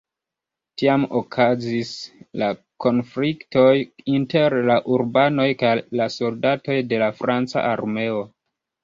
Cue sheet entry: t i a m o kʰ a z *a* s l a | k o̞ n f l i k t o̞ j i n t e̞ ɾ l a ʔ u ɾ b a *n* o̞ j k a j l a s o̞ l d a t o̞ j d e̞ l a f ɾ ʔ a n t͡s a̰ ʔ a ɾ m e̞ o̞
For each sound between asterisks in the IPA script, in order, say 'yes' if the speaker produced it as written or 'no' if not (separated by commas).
no, yes